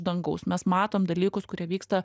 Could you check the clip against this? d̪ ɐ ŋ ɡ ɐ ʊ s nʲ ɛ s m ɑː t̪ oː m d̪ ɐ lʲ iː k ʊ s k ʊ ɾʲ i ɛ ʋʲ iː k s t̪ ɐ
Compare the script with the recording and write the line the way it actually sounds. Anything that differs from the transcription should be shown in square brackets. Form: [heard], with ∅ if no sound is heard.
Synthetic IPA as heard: d̪ ɐ ŋ ɡ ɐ ʊ s [mʲ] ɛ s m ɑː t̪ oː m d̪ ɐ lʲ iː k ʊ s k ʊ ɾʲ i ɛ ʋʲ iː k s t̪ ɐ